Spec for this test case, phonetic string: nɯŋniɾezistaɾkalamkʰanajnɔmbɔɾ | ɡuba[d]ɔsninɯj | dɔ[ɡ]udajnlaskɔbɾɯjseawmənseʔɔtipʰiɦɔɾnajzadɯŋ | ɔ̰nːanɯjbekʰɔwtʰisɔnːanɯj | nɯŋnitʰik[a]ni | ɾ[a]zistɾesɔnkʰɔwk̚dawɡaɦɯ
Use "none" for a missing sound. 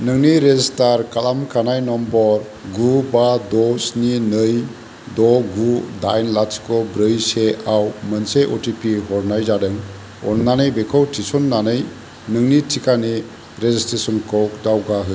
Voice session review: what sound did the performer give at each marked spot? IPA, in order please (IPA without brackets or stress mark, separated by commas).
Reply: d, ɡ, a, e